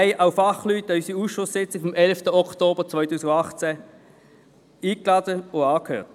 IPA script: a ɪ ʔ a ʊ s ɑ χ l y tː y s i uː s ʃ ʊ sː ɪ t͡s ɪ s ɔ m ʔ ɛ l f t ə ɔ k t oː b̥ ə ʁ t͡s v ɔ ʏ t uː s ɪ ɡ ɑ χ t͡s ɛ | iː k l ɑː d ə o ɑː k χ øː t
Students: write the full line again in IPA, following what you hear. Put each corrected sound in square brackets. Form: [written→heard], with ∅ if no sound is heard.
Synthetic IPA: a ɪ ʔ a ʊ [s→f] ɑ χ l y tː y s i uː s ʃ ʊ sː ɪ t͡s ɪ [s→f] ɔ m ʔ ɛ l f t ə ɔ k t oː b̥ ə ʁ t͡s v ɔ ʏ t uː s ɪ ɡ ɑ χ t͡s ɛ | iː k l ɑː d ə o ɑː k [χ→h] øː t